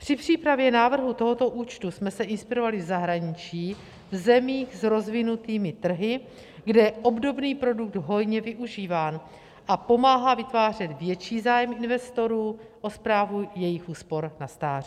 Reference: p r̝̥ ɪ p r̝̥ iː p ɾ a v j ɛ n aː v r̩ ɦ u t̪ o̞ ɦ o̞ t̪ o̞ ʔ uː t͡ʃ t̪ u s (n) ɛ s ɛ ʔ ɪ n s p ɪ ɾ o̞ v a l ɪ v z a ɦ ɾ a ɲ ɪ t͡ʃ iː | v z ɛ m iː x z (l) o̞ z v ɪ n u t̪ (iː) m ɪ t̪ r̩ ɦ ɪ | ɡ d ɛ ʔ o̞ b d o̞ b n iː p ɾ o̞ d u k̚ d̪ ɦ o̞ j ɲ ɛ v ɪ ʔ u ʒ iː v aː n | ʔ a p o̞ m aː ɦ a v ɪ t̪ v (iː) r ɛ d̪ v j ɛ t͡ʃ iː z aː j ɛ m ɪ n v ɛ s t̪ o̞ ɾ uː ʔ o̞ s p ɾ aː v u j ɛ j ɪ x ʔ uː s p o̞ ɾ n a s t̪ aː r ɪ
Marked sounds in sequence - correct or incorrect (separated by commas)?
incorrect, incorrect, correct, incorrect